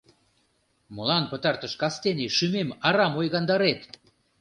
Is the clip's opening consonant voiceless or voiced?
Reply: voiced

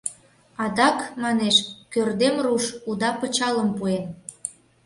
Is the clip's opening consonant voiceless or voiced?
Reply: voiced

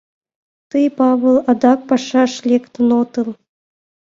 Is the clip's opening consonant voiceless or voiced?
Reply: voiceless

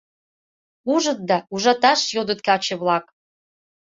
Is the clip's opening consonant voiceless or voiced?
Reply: voiced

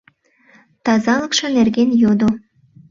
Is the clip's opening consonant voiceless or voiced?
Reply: voiceless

